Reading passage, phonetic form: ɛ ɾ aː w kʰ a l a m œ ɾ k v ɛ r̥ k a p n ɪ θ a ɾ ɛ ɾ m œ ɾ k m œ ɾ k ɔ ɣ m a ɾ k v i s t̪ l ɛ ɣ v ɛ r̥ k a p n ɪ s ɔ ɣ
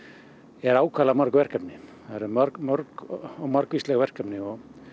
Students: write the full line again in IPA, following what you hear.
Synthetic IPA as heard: ɛ ɾ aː w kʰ a l a m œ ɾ k v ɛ r̥ k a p n ɪ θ a ɾ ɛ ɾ m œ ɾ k m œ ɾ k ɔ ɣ m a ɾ k v i s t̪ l ɛ ɣ v ɛ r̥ k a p n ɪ ɔ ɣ